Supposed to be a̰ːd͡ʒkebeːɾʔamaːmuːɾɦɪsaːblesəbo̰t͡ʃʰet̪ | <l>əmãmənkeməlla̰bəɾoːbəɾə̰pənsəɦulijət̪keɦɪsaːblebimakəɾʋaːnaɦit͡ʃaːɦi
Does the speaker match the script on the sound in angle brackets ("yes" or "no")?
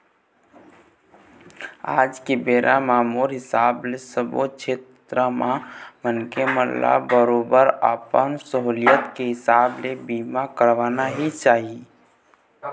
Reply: no